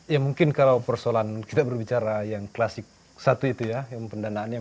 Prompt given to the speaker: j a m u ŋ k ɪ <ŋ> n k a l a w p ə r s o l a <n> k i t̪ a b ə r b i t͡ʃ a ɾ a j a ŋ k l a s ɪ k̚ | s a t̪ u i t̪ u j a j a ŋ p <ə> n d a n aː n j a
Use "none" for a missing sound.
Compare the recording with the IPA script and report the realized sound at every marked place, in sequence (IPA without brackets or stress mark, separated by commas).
none, n, ə